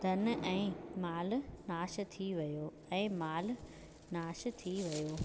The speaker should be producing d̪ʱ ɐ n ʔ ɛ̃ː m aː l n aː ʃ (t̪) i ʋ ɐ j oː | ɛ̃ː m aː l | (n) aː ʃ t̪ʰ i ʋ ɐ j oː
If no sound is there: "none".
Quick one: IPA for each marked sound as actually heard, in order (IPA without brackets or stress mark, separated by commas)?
t̪ʰ, n